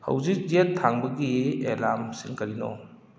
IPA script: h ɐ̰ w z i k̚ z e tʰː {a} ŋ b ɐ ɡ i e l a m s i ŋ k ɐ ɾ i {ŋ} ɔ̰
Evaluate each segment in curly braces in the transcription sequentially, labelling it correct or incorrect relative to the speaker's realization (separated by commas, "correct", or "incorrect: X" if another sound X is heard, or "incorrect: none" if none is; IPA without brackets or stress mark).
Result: correct, incorrect: n